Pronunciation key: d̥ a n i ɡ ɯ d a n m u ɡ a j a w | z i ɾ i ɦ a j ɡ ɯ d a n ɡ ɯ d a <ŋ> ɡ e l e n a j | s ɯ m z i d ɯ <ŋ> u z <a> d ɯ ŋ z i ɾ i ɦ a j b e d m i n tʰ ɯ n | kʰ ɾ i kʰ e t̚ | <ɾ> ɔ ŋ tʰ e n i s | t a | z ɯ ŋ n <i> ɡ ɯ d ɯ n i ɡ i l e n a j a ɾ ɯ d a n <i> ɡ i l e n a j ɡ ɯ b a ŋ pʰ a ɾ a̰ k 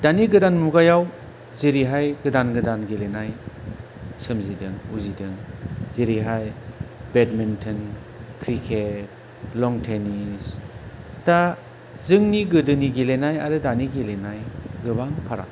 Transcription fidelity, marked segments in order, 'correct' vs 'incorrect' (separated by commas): incorrect, correct, incorrect, incorrect, correct, correct